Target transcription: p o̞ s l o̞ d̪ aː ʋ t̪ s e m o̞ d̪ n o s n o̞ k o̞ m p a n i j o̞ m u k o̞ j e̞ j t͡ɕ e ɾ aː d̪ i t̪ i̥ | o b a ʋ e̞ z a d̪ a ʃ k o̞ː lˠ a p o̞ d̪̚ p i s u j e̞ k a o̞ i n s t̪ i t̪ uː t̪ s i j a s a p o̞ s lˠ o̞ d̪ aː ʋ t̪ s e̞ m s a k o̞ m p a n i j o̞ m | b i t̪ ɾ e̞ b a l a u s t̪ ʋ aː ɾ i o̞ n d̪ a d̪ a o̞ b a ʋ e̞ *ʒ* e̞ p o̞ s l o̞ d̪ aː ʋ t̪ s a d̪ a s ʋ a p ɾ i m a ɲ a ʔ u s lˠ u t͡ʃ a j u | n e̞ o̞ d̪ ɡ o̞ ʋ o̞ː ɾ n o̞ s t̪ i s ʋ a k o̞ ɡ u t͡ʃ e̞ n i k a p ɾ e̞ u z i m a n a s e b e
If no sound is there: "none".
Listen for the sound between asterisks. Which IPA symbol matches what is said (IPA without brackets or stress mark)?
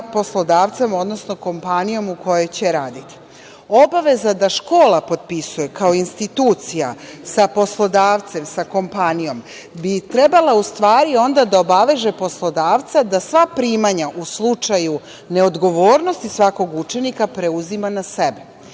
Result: ʒ